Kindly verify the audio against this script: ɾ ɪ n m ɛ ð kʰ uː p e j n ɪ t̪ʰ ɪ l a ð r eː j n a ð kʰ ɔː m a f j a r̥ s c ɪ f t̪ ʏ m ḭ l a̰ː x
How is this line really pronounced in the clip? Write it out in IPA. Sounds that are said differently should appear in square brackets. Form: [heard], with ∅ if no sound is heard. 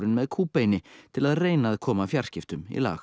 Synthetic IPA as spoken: ɾ ɪ n m ɛ ð kʰ uː p e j n ɪ t̪ʰ ɪ l a ð r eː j n a ð kʰ ɔː m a f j a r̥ s c ɪ f t̪ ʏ m ḭ l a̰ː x